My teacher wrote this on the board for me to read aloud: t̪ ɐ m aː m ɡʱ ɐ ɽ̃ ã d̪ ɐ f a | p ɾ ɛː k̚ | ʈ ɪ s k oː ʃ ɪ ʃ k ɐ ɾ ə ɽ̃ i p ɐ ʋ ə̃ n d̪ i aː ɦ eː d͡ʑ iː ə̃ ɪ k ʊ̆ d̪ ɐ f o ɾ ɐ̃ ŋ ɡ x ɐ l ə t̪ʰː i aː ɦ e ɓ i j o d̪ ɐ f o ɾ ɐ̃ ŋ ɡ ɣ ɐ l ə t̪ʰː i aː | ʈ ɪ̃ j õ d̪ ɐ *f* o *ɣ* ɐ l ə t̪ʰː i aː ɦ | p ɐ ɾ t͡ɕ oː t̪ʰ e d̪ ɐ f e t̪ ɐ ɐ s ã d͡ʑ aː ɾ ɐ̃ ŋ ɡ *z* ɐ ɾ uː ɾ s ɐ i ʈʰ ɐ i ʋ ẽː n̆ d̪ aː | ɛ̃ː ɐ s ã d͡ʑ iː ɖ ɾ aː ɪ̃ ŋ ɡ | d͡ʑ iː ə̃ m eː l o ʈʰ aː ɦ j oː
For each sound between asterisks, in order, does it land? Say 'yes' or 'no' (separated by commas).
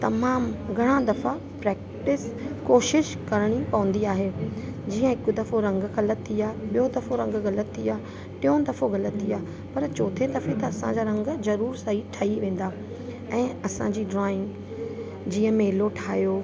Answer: yes, yes, yes